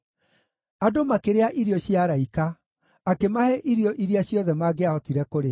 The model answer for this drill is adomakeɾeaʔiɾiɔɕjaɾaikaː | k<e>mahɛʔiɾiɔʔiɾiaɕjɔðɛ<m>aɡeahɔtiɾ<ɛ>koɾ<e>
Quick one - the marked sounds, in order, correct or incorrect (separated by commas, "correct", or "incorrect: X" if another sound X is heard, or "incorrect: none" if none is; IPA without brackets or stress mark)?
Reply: correct, correct, correct, correct